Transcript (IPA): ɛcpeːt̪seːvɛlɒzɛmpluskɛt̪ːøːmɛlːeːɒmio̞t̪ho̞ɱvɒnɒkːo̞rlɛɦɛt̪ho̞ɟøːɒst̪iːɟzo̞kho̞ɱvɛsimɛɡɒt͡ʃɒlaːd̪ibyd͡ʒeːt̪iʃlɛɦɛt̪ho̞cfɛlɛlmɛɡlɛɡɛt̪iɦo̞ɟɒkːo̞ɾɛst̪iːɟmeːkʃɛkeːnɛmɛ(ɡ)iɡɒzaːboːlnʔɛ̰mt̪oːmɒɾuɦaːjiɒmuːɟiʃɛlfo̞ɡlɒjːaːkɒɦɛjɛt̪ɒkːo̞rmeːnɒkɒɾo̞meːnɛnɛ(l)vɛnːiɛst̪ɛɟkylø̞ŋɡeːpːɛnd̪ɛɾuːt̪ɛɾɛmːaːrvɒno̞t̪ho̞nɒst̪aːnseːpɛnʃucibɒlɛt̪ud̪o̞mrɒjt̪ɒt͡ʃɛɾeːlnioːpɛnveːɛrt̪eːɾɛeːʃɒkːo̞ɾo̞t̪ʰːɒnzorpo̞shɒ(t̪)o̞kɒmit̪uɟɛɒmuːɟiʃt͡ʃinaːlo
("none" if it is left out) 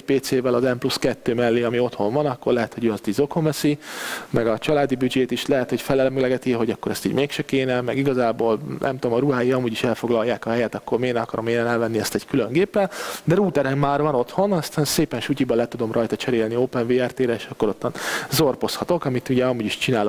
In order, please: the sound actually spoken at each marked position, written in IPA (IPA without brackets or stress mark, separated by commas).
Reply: ɡ, l, t̪